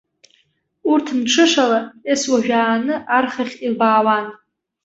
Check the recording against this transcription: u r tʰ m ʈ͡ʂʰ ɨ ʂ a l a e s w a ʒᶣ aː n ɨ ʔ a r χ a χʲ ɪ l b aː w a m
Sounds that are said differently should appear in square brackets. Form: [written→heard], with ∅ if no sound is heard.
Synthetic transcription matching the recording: u r tʰ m ʈ͡ʂʰ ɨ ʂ a l a e s w a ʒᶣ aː n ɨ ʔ a r χ a χʲ [ɪ→i] l b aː w a [m→n]

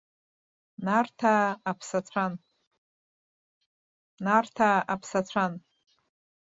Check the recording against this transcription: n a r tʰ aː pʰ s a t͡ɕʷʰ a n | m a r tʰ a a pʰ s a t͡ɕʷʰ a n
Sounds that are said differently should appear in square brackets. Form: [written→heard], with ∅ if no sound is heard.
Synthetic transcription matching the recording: n a r tʰ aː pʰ s a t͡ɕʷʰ a n | [m→n] a r tʰ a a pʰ s a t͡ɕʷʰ a n

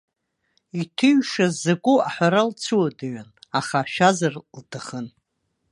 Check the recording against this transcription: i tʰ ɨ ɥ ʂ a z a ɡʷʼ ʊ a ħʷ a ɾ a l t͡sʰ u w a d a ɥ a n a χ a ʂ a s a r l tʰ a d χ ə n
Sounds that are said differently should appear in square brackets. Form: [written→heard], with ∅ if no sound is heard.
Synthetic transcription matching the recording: i tʰ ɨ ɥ ʂ a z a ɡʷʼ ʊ a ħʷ a ɾ a l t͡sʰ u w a d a ɥ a n a χ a [ʂ→ʃ] a [s→z] a r l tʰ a [d→∅] χ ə n

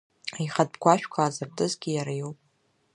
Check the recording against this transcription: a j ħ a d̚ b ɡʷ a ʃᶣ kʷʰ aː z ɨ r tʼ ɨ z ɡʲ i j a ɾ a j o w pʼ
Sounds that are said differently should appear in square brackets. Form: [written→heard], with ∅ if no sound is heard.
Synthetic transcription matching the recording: a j [ħ→χ] a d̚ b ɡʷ a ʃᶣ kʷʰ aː z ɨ r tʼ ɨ z ɡʲ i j a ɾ a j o w pʼ

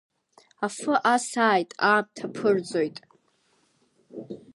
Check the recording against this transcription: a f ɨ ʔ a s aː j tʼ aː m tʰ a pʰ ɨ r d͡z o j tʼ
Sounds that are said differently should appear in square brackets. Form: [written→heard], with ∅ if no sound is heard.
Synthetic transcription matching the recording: a f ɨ ʔ a s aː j tʼ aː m tʰ a pʰ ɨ r d͡z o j tʼ

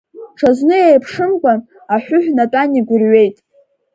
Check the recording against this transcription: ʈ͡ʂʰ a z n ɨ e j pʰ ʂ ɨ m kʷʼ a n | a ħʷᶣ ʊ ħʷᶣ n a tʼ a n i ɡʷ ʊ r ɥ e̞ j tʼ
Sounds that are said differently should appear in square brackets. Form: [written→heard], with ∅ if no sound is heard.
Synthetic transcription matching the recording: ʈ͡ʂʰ a z n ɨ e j pʰ ʂ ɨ m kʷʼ a n | a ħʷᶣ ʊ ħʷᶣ n a tʼ a n i ɡʷ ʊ r ɥ e̞ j tʼ

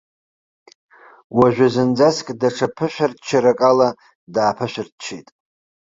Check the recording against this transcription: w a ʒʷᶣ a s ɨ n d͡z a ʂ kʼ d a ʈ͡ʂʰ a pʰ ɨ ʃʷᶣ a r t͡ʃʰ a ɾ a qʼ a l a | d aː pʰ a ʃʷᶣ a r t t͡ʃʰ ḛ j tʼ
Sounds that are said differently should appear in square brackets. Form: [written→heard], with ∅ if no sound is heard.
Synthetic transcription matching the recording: w a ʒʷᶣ a [s→z] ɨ n d͡z a [ʂ→s] kʼ d a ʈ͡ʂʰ a pʰ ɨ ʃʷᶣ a r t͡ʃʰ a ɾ a [qʼ→kʼ] a l a | d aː pʰ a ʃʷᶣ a r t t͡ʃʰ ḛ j tʼ

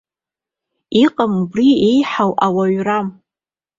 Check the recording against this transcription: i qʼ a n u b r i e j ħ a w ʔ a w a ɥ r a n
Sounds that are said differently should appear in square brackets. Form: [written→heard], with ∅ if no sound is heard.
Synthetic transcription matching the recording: i qʼ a [n→m] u b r i e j ħ a w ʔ a w a ɥ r a [n→m]

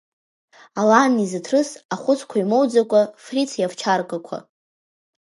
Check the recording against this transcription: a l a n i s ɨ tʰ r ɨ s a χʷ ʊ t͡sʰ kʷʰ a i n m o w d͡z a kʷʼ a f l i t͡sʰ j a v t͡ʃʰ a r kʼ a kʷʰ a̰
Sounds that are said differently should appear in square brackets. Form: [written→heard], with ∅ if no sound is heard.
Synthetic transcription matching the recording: a l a n i [s→z] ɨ tʰ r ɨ s a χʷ ʊ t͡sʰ kʷʰ a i [n→∅] m o w d͡z a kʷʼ a f [l→r] i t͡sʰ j a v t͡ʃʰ a r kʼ a kʷʰ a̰

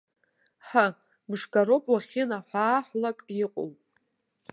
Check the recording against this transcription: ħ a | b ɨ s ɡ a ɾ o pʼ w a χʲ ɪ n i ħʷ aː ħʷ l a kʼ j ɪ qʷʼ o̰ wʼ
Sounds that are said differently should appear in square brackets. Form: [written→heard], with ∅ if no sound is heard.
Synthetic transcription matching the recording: ħ a | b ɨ [s→ʂ] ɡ a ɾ o pʼ w a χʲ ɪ n [i→a] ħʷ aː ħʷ l a kʼ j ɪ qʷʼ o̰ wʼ

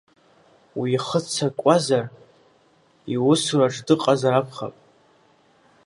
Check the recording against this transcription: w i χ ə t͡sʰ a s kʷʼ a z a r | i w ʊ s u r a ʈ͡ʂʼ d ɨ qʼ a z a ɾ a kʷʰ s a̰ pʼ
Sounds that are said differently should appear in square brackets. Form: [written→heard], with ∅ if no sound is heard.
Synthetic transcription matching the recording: w i χ ə t͡sʰ a [s→∅] kʷʼ a z a r | i w ʊ s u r a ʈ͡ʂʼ d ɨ qʼ a z a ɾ a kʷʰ [s→χ] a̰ pʼ

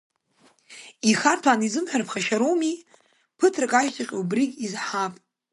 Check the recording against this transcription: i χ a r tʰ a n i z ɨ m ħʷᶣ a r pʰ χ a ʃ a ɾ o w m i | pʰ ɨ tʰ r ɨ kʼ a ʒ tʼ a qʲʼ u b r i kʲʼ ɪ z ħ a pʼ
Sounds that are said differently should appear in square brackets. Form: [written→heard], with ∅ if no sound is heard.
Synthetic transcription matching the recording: i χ a r tʰ a n i z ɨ m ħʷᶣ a r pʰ χ a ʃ a ɾ o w m i | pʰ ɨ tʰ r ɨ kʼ a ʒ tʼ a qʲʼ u b r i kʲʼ [ɪ→i] z ħ a pʼ

